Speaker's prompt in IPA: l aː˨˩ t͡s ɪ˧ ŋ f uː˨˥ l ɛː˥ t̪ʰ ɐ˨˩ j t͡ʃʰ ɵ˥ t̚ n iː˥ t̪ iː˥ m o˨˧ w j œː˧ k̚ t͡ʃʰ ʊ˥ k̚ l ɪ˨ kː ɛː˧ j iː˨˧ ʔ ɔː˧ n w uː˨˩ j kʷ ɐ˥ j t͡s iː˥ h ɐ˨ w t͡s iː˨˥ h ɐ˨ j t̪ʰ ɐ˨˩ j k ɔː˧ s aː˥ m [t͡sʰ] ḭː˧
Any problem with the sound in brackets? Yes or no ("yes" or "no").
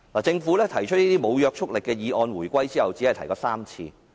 no